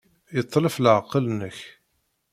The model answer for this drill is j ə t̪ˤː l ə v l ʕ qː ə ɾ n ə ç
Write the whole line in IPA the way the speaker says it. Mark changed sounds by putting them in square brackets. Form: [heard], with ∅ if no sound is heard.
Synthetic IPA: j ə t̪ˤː l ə [f] l ʕ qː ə [l] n ə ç